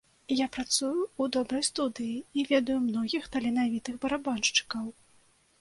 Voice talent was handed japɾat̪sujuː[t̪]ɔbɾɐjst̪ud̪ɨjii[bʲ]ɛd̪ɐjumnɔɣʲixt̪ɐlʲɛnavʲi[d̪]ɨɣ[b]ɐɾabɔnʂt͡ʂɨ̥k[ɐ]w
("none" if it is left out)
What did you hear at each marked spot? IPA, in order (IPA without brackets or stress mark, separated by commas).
d̪, vʲ, t̪, b, ɐ